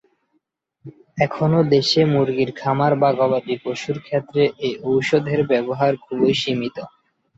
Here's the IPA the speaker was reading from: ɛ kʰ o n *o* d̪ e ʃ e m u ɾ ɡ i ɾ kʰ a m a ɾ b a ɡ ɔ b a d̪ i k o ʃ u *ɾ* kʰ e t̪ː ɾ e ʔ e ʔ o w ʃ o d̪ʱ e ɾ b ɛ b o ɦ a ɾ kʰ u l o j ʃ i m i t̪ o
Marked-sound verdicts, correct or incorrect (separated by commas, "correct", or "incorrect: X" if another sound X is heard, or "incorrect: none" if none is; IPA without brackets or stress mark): correct, correct